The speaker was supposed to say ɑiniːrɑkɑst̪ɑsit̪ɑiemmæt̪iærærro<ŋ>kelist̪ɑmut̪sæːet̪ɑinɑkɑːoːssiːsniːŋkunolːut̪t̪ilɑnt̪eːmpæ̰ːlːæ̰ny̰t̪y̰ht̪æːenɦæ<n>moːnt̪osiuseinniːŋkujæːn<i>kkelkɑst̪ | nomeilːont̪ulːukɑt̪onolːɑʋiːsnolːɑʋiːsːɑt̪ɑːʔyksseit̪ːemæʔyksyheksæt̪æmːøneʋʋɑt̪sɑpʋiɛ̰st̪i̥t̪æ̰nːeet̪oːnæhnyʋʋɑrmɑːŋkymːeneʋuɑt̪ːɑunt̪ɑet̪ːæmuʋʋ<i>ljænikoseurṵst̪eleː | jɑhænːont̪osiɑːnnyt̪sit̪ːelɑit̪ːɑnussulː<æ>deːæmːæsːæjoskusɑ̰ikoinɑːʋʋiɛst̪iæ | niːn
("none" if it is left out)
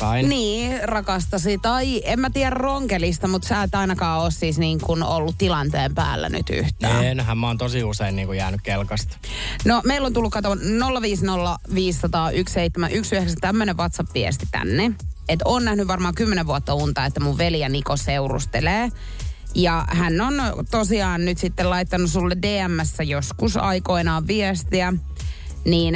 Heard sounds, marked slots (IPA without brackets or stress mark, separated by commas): ŋ, m, y, e, e